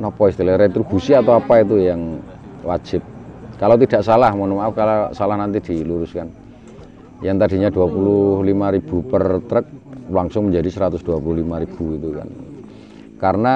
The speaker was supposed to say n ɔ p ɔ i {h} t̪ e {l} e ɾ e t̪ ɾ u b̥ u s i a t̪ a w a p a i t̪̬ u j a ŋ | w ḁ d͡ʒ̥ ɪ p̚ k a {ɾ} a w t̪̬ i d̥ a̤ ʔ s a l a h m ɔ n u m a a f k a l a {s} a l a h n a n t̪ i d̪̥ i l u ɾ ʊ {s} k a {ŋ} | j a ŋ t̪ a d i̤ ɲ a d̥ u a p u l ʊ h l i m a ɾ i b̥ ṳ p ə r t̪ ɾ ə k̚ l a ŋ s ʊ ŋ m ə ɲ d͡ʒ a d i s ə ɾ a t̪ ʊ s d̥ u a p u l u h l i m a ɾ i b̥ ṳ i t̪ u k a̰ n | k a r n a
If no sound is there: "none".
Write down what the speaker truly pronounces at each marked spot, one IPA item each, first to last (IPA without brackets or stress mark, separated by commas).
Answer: s, l, l, s, s, n